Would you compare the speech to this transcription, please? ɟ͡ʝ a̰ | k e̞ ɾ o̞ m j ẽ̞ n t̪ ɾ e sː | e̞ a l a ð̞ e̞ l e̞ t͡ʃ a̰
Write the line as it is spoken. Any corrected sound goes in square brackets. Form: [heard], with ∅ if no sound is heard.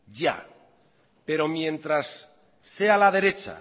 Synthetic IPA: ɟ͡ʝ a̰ | [p] e̞ ɾ o̞ m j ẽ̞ n t̪ ɾ [a] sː | e̞ a l a ð̞ e̞ [ɾ] e̞ t͡ʃ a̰